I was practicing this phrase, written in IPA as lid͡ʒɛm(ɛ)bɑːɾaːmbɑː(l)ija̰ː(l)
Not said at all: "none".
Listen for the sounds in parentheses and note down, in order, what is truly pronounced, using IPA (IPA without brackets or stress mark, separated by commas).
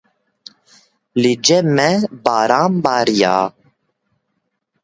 ɛ, ɾ, none